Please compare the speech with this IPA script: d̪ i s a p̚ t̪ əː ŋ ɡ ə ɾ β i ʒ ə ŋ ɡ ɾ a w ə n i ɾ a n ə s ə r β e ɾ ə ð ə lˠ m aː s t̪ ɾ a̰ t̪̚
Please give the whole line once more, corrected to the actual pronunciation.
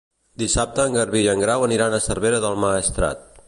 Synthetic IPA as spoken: d̪ i s a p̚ t̪ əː ŋ ɡ ə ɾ β i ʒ ə ŋ ɡ ɾ a w ə n i ɾ a n ə s ə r β e ɾ ə ð ə lˠ m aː s t̪ ɾ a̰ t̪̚